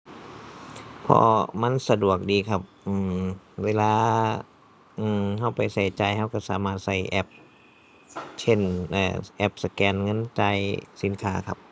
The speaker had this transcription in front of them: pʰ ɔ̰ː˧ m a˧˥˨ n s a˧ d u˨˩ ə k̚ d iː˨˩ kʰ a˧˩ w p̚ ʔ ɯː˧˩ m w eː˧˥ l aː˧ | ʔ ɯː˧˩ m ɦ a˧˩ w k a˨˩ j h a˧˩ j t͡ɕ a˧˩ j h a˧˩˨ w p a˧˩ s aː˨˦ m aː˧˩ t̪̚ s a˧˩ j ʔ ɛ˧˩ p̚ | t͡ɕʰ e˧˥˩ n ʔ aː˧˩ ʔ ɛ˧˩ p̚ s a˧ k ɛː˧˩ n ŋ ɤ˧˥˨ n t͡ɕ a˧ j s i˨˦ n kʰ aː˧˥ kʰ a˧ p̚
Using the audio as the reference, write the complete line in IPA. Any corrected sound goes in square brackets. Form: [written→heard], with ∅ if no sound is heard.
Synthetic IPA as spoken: pʰ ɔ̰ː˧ m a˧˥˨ n s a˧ d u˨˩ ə k̚ d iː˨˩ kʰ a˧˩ [w→∅] p̚ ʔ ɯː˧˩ m w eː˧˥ l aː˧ | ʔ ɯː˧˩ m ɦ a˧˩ w [k→p] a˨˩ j [h→s] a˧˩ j t͡ɕ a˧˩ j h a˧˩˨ w [p→k] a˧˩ s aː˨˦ m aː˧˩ t̪̚ s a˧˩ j ʔ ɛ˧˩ p̚ | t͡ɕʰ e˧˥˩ n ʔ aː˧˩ ʔ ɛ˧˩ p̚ s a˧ k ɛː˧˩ n ŋ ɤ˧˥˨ n t͡ɕ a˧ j s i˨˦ n kʰ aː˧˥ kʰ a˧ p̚